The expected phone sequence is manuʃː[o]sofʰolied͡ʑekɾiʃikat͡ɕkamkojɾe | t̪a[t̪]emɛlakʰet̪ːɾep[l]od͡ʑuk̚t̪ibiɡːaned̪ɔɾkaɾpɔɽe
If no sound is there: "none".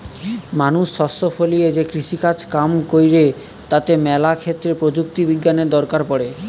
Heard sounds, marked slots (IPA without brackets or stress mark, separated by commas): ɔ, t̪, ɾ